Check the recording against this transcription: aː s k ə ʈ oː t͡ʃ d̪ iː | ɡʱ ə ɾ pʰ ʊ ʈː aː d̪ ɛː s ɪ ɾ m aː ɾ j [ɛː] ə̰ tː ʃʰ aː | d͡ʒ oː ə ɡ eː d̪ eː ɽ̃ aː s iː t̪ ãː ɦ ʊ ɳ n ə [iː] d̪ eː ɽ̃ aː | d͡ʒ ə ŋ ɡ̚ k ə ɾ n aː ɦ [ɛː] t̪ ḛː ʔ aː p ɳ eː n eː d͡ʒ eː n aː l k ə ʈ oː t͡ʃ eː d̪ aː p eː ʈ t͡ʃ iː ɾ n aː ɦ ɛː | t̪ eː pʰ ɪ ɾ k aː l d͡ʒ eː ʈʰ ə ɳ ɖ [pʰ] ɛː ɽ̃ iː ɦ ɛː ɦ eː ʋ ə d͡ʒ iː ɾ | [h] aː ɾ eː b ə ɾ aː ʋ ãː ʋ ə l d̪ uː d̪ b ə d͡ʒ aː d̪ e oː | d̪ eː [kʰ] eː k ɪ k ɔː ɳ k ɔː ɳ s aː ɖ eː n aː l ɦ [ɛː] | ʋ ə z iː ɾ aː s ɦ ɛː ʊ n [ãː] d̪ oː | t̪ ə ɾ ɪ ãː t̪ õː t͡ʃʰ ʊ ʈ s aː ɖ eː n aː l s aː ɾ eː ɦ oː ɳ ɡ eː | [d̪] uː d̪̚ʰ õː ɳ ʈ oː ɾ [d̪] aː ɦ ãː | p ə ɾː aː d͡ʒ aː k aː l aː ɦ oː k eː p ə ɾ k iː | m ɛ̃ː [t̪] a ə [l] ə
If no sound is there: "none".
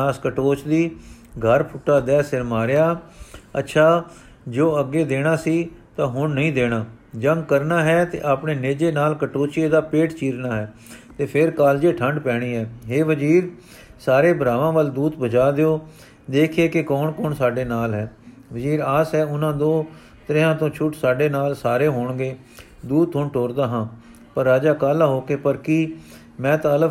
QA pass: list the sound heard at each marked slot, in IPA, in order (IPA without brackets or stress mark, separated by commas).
aː, ĩː, ɛː, p, s, kʰ, ɛː, ãː, d̪, d̪, t̪, l